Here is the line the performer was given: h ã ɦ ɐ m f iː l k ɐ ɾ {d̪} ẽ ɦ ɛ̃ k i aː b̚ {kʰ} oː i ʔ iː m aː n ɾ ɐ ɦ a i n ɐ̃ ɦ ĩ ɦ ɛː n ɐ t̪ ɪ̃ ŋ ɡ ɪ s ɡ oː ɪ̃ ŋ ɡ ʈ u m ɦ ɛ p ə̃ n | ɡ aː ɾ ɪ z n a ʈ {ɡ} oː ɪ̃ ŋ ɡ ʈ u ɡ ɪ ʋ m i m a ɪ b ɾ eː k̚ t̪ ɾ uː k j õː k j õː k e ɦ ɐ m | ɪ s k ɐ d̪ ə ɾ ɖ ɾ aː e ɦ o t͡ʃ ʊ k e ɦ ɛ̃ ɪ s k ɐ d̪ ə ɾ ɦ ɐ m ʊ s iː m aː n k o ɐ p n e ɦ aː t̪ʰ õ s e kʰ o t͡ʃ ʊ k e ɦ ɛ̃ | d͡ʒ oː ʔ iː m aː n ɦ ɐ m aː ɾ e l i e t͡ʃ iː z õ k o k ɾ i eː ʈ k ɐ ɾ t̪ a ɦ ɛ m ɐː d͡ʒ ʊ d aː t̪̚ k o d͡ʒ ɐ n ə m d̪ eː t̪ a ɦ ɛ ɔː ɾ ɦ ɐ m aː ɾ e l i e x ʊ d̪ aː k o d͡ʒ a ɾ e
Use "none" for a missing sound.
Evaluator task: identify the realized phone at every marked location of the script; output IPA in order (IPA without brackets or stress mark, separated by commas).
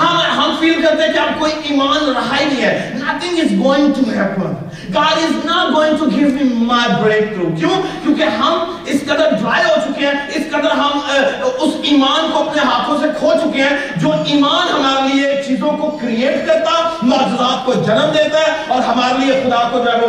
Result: t̪, k, ɡ